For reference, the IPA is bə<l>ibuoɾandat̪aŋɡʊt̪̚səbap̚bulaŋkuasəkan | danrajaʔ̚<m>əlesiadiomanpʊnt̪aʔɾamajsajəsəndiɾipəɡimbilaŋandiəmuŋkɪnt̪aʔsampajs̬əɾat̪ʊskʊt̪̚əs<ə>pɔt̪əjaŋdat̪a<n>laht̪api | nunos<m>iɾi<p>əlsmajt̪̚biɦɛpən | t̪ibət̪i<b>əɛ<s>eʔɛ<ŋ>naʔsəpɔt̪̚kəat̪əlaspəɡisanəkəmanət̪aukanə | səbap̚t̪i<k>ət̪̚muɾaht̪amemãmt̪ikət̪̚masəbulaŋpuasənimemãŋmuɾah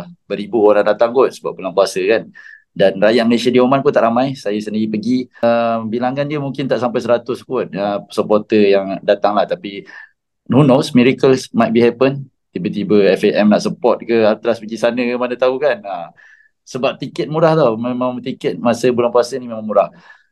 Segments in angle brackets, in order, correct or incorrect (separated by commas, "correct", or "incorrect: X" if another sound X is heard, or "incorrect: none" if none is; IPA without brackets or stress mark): incorrect: ɾ, correct, correct, incorrect: ŋ, correct, incorrect: k, correct, incorrect: f, incorrect: m, correct